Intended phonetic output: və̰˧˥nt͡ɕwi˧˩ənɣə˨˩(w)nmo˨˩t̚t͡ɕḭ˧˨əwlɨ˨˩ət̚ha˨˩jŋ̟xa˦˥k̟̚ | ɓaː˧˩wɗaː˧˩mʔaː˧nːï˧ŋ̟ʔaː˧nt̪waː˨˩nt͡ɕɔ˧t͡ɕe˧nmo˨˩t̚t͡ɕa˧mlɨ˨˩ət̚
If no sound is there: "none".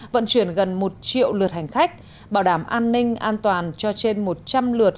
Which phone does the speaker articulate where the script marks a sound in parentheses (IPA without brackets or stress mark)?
none